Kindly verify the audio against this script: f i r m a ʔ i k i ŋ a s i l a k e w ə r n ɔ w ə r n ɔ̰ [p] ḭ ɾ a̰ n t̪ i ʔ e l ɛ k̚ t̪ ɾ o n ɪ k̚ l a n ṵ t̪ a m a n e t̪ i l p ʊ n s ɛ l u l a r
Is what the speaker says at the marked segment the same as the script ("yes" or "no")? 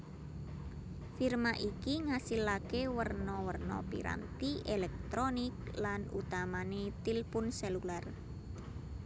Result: yes